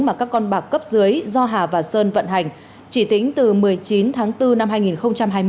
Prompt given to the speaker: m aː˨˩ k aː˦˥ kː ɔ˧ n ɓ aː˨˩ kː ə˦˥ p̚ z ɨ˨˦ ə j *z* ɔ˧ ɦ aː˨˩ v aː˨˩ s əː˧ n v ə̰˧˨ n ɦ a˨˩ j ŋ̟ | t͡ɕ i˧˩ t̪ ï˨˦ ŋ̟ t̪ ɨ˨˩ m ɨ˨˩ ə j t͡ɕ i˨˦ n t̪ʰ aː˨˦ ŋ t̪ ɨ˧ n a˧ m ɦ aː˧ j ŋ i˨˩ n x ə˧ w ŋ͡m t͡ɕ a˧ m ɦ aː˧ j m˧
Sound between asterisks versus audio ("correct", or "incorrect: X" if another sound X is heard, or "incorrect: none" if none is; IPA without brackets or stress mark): correct